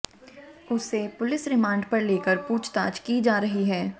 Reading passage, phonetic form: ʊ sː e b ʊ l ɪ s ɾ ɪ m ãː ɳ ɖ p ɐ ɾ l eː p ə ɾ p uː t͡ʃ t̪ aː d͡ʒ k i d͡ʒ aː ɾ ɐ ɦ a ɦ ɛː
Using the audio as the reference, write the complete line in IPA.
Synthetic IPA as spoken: ʊ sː e p ʊ l ɪ s ɾ ɪ m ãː ɳ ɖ p ɐ ɾ l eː k ə ɾ p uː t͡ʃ t̪ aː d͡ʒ k i d͡ʒ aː ɾ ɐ ɦ i ɦ ɛː